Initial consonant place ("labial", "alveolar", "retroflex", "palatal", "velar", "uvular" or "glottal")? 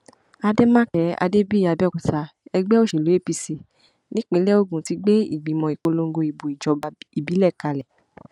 alveolar